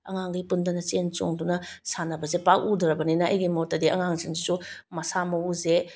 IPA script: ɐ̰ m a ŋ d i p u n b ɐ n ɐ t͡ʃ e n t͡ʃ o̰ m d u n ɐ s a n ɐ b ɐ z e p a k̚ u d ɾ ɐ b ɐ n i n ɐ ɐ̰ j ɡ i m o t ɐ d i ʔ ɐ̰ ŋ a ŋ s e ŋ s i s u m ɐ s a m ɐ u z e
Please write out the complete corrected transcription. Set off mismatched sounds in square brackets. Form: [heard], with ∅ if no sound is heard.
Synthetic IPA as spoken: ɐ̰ [ŋ] a ŋ [ɡ] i p u n [d] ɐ n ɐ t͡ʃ e n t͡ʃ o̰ [ŋ] d u n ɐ s a n ɐ b ɐ z e p a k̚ u d ɾ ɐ b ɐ n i n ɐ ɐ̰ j ɡ i m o t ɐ d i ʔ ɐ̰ ŋ a ŋ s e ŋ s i s u m ɐ s a m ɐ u z e

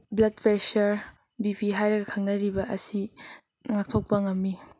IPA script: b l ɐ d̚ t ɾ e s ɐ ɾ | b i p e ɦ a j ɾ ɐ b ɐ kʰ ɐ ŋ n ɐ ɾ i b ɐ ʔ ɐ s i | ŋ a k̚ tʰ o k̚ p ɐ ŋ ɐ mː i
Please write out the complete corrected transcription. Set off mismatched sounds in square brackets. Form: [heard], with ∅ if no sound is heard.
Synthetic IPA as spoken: b l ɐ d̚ [p] ɾ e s ɐ ɾ | b i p [i] ɦ a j ɾ ɐ [ɡ] ɐ kʰ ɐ ŋ n ɐ ɾ i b ɐ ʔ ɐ s i | ŋ a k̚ tʰ o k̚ p ɐ ŋ ɐ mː i

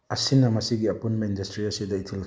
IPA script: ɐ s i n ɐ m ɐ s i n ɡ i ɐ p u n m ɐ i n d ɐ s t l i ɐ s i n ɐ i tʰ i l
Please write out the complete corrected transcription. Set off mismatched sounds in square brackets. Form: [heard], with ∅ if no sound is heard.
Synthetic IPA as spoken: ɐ s i n ɐ m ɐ s i [∅] ɡ i ɐ p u n m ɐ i n d ɐ s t [ɾ] i ɐ s i [d] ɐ i tʰ i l

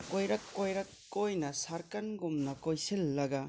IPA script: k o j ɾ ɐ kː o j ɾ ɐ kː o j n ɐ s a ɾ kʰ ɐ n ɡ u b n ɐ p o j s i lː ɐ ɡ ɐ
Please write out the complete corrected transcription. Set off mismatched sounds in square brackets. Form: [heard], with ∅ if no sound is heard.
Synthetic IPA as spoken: k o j ɾ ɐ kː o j ɾ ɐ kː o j n ɐ s a ɾ [k] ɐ n ɡ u [m] n ɐ [k] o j s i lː ɐ ɡ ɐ

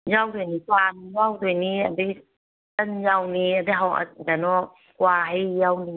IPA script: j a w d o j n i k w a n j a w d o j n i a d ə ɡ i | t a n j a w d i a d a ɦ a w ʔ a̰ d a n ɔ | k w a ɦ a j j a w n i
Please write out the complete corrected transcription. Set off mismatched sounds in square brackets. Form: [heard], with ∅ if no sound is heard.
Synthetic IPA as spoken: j a w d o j n i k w a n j a w d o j n i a d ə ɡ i | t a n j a w [n] i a d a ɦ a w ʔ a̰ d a n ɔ | k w a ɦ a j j a w n i

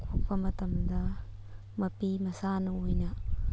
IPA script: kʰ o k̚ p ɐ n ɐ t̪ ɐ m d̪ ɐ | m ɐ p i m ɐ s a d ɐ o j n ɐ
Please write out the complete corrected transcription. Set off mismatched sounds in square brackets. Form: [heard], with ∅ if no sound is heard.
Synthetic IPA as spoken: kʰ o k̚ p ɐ [m] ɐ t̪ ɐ m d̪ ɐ | m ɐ p i m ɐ s a [n] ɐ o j n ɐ

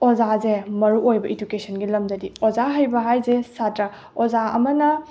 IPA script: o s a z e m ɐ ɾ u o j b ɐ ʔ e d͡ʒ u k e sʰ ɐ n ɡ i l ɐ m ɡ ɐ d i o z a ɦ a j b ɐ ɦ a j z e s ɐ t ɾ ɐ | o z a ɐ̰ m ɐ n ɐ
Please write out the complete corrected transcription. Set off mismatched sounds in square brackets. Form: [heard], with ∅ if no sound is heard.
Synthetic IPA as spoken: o [z] a z e m ɐ ɾ u o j b ɐ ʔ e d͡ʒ u k e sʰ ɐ n ɡ i l ɐ m [d] ɐ d i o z a ɦ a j b ɐ ɦ a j z e s [a] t ɾ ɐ | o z a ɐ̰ m ɐ n ɐ

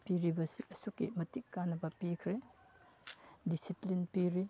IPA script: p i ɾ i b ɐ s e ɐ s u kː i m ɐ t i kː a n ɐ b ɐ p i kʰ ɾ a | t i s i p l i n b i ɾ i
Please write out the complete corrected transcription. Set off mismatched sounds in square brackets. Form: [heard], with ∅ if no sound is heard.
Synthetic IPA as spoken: p i ɾ i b ɐ s [i] ɐ s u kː i m ɐ t i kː a n ɐ b ɐ p i kʰ ɾ [e] | [d] i s i p l i n [p] i ɾ i

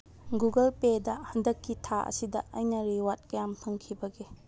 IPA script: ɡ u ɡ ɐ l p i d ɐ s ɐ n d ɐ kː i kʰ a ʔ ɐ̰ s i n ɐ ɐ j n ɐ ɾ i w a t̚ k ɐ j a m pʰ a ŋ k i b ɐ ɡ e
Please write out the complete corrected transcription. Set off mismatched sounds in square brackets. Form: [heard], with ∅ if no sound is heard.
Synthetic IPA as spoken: ɡ u ɡ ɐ l p [e] d ɐ [h] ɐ n d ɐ kː i [tʰ] a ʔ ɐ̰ s i [d] ɐ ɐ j n ɐ ɾ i w a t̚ k ɐ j a m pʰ [ɐ] ŋ [kʰ] i b ɐ ɡ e

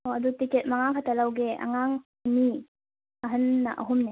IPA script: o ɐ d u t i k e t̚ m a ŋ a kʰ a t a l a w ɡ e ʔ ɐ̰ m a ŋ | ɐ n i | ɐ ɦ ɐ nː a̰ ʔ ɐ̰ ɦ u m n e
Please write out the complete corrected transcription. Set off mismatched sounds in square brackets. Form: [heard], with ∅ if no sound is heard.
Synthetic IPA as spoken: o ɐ d u t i k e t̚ m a ŋ a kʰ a t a l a w ɡ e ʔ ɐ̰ [ŋ] a ŋ | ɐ n i | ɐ ɦ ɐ nː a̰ ʔ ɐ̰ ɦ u m n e

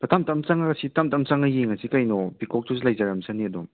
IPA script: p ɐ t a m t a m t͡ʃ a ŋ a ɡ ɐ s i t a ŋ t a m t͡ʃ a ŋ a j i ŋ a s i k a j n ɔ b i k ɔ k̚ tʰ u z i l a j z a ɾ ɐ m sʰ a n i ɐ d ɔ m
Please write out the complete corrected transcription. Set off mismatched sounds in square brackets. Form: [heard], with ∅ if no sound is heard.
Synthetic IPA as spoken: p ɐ t a m t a m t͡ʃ a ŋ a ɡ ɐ s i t a [m] t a m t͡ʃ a ŋ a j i ŋ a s i k a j n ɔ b i k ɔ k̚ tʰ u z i l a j z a ɾ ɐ m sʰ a n i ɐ d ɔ m

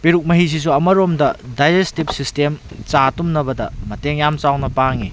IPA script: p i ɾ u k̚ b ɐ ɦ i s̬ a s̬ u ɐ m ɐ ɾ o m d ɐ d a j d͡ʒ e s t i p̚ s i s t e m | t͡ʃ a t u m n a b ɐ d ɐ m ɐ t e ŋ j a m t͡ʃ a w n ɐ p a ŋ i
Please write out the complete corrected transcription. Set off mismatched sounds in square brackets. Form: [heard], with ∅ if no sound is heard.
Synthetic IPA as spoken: p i ɾ u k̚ [m] ɐ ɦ i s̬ [i] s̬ u ɐ m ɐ ɾ o m d ɐ d a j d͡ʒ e s t i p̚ s i s t e m | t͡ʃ a t u m n [ɐ] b ɐ d ɐ m ɐ t e ŋ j a m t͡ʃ a w n ɐ p a ŋ i

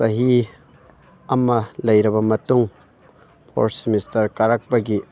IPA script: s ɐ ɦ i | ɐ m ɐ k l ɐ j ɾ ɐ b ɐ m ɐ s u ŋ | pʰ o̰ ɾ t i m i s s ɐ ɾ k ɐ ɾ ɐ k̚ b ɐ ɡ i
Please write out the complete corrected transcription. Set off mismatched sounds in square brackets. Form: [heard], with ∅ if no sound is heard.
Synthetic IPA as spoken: s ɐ ɦ i | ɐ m ɐ [∅] l ɐ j ɾ ɐ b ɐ m ɐ [t] u ŋ | pʰ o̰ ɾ [s] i m i s [t] ɐ ɾ k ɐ ɾ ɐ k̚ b ɐ ɡ i

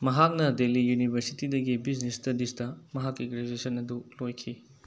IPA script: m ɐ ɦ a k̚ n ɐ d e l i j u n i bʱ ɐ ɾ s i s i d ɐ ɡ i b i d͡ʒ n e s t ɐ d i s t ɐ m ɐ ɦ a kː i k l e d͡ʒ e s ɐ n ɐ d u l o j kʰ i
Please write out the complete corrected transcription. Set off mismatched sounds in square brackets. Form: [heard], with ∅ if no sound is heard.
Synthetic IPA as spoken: m ɐ ɦ a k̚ n ɐ d e l i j u n i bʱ ɐ ɾ s i [t] i d ɐ ɡ i b i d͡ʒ n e s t ɐ d i s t ɐ m ɐ ɦ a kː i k [ɾ] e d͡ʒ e s ɐ n ɐ d u l o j kʰ i

